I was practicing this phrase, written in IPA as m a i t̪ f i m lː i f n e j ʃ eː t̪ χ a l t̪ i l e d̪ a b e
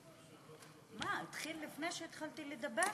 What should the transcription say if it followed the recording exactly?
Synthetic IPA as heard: m a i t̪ χ i lː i f n e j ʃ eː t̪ χ a l t̪ i l e d̪ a b e